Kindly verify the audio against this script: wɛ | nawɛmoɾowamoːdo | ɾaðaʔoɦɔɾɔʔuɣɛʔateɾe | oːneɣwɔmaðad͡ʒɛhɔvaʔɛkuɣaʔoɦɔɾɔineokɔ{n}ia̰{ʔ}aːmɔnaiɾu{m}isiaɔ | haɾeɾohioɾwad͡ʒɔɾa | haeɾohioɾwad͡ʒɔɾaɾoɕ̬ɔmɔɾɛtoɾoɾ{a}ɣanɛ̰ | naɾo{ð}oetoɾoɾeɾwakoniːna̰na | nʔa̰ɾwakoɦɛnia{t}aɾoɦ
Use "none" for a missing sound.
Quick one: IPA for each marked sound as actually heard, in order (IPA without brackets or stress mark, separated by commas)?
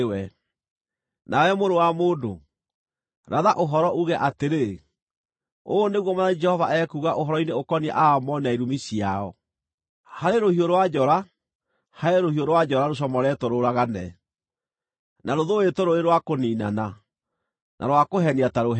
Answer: n, ʔ, m, a, ð, t